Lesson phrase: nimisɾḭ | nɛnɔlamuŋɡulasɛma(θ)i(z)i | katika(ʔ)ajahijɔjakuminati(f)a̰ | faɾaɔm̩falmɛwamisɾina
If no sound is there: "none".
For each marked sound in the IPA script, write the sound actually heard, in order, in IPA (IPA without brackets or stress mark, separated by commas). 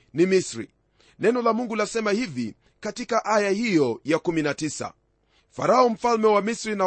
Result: h, v, ʔ, s